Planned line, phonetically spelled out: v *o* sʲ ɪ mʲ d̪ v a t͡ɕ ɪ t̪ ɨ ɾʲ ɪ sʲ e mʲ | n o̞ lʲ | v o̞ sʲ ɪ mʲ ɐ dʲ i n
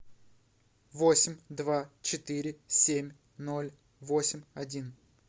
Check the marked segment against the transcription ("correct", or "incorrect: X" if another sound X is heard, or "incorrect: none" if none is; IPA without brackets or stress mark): correct